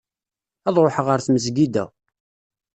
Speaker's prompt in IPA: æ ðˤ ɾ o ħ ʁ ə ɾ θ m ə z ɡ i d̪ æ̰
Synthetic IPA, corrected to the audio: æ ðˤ ɾ o ħ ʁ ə ɾ θ m ə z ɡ i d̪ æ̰